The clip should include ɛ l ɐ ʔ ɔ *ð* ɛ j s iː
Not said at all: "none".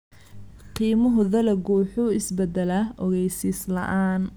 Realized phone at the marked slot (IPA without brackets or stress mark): ɣ